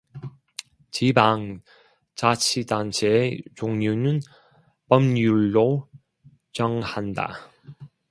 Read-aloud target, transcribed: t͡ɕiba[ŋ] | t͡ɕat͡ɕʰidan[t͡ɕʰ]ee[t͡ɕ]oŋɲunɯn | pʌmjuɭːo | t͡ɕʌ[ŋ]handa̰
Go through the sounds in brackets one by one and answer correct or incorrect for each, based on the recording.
correct, correct, correct, correct

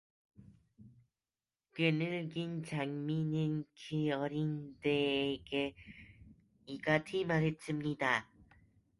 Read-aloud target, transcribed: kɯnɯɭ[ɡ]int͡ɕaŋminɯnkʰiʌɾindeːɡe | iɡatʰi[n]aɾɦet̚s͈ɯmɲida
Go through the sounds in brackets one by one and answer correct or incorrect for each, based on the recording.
correct, incorrect: m

